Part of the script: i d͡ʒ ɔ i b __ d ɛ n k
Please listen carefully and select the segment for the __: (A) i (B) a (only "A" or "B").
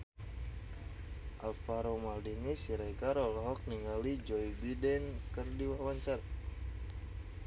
A